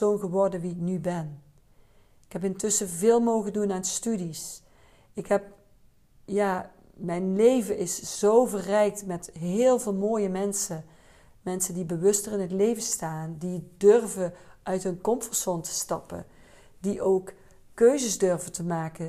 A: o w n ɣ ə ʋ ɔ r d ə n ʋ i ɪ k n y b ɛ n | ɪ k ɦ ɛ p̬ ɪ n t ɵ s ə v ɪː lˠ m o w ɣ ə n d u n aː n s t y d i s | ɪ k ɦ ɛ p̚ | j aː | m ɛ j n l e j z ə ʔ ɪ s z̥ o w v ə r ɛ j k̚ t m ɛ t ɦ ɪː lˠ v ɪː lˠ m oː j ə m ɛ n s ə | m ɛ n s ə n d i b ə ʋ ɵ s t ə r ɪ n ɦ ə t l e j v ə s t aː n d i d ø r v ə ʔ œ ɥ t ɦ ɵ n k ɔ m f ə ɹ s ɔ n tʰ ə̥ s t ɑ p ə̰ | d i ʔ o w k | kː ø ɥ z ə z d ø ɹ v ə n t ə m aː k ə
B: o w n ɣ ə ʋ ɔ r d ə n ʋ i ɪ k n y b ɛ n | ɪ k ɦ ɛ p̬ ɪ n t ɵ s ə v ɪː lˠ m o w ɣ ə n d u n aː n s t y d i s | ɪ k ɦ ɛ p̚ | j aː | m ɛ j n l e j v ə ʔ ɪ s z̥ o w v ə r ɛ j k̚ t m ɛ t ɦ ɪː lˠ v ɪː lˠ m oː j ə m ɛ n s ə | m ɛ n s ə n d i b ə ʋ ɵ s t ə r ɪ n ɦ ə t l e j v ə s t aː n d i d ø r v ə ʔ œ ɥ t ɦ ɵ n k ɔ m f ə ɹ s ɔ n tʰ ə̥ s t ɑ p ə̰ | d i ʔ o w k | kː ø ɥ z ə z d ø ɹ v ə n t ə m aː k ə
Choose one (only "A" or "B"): B